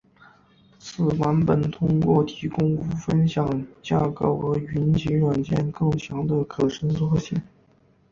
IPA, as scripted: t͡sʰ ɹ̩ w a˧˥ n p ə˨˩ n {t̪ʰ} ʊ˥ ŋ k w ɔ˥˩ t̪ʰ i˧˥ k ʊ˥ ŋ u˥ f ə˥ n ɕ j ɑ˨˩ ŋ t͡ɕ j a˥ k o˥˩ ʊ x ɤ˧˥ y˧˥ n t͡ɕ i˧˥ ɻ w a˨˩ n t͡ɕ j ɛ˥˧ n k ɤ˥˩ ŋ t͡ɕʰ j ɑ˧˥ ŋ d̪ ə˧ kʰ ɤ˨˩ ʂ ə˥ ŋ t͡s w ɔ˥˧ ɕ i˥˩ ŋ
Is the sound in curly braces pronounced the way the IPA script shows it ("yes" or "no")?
yes